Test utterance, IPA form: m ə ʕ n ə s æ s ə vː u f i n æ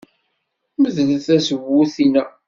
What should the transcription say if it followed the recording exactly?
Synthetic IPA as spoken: m ə ð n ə θ æ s ə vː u θ i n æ